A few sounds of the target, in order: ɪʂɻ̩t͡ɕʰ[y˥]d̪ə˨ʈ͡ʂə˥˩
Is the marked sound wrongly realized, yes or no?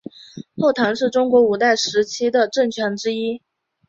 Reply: yes